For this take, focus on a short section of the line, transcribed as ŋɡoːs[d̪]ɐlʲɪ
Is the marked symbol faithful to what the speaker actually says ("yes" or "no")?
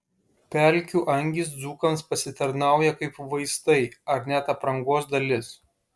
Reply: yes